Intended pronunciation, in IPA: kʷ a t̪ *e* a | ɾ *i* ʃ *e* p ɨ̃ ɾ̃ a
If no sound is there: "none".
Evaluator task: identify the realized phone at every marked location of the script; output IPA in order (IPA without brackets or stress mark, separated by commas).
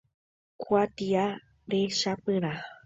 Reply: i, e, a